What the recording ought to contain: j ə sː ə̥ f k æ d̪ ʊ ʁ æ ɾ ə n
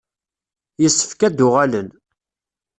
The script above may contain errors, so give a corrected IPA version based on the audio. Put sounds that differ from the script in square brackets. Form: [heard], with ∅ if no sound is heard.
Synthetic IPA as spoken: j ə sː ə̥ f k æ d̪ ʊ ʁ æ [l] ə n